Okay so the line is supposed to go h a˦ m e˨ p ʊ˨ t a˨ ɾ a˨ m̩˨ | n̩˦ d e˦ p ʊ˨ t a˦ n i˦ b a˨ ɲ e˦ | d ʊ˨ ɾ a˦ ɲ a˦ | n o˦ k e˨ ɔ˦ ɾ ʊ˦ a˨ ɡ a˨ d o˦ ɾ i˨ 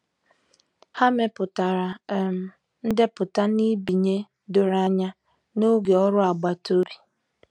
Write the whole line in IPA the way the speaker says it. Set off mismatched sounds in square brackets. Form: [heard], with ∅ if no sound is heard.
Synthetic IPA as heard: h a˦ m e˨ p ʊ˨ t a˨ ɾ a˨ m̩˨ | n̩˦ d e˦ p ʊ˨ t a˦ n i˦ b [i˨] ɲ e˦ | d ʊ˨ ɾ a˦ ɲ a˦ | n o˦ [ɡ] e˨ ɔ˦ ɾ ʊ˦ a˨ [ɡ͡b] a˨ [t] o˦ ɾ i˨